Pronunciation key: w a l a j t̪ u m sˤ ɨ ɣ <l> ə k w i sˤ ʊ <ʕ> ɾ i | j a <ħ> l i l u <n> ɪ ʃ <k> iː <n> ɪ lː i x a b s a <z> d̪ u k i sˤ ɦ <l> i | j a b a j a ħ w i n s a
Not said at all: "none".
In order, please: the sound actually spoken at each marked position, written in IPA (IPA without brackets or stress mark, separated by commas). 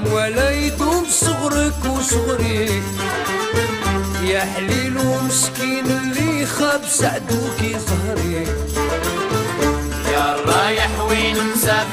ɾ, ɣ, ħ, m, k, n, ʕ, ɾ